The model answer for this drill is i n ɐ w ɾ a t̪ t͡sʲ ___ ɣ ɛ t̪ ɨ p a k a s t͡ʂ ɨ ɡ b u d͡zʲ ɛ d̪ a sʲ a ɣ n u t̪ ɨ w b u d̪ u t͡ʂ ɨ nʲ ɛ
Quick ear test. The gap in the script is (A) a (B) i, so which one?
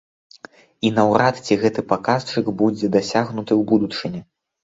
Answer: B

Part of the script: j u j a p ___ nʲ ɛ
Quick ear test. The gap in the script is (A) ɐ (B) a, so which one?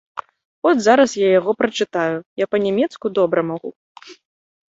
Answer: A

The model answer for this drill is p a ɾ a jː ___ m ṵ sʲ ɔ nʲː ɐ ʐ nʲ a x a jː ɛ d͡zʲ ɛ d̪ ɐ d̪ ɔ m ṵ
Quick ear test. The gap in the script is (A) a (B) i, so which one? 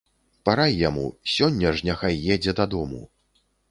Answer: A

